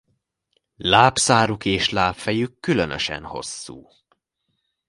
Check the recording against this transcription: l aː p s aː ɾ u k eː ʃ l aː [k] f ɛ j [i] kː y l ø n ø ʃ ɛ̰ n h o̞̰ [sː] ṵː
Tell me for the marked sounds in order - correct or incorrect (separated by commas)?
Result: incorrect, incorrect, correct